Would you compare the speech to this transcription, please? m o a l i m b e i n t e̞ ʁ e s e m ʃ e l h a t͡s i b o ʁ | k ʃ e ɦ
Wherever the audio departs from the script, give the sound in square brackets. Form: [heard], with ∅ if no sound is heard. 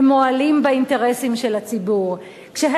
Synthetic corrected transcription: m o a l i m b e i n t e̞ ʁ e s [i] m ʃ e l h a t͡s i b [u] ʁ | k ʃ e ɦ